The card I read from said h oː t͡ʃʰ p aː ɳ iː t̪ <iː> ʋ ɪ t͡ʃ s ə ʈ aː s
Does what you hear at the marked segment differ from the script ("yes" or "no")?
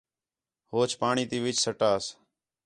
no